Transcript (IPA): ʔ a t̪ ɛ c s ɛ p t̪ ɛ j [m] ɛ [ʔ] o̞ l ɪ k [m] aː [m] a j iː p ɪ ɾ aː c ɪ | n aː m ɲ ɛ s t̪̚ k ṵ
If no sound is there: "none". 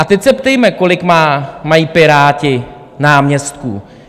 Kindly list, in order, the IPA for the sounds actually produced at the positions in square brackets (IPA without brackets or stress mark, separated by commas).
m, k, m, m